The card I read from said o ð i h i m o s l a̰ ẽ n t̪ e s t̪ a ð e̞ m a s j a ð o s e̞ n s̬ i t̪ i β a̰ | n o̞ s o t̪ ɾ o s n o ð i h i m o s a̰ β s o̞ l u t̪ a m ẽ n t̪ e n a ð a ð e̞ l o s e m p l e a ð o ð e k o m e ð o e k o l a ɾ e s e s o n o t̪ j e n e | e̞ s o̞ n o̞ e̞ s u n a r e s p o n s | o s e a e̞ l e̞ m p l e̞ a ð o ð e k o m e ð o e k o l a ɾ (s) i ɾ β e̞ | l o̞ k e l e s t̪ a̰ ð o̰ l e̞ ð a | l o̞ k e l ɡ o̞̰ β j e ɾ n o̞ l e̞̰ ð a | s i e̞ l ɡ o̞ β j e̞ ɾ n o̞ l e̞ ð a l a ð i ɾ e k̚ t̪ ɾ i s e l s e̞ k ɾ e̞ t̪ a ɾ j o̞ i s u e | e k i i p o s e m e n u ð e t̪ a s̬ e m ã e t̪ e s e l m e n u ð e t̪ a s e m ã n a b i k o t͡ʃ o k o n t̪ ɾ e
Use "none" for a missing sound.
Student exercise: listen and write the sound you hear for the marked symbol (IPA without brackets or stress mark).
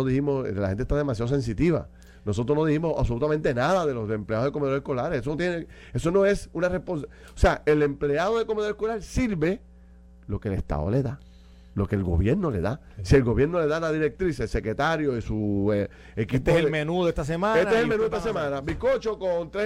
s